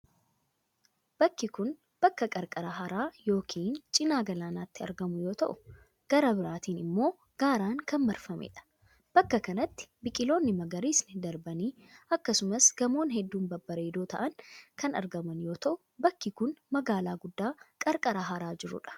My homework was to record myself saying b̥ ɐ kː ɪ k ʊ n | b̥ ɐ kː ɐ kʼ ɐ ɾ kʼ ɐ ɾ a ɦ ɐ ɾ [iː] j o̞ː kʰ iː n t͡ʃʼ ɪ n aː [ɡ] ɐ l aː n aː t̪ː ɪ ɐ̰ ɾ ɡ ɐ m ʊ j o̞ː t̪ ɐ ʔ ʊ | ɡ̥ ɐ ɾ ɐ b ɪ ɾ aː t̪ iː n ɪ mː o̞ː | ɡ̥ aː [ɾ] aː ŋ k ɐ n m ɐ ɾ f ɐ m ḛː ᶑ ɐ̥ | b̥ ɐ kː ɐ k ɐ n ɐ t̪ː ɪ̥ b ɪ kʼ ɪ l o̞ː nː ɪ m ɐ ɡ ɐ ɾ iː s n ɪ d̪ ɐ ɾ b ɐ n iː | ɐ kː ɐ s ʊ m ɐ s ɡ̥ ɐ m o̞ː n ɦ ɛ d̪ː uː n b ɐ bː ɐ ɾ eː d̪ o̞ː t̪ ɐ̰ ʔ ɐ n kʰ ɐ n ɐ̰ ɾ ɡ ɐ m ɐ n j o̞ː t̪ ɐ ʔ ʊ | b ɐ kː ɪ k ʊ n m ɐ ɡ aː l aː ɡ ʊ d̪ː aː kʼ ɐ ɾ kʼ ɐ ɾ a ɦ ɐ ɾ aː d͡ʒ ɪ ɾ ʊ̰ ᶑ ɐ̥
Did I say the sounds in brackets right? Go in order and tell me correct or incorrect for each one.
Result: incorrect: aː, correct, correct

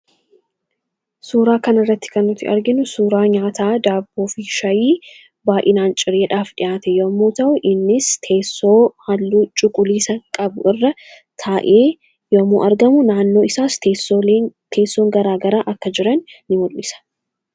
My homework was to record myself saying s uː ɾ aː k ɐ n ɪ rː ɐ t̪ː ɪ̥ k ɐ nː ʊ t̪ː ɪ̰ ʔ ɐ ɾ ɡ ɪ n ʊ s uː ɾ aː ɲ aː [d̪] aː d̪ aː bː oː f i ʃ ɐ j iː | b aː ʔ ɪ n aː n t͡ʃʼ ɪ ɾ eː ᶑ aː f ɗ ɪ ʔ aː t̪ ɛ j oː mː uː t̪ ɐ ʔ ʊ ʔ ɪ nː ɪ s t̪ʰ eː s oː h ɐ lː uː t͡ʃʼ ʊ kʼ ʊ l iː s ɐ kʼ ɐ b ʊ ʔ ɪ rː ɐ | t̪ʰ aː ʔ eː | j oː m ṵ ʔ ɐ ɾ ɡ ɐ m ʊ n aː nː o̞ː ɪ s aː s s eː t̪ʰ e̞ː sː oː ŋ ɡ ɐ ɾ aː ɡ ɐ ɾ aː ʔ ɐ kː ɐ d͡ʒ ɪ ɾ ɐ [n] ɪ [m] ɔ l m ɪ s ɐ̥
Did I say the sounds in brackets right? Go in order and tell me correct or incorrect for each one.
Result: incorrect: t̪, incorrect: nː, correct

